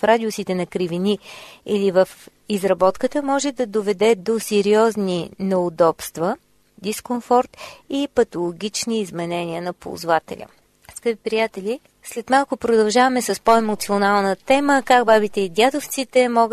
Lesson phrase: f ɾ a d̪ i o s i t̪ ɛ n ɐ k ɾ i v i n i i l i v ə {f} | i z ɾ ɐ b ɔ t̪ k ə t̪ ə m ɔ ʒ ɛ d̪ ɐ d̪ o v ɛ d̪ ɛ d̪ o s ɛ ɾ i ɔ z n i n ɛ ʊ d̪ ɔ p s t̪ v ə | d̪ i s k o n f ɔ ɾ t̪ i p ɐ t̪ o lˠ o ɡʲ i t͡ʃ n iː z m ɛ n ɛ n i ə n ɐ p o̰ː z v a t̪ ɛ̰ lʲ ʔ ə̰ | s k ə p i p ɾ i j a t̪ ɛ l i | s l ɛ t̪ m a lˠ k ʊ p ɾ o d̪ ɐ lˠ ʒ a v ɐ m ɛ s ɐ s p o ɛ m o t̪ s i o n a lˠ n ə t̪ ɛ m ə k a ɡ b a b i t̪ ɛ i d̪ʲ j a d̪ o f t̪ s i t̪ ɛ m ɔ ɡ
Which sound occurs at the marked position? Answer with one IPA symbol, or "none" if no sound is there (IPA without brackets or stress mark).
f